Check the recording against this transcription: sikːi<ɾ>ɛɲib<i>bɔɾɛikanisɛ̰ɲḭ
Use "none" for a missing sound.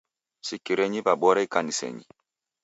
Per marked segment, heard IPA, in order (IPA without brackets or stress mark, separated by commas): ɾ, a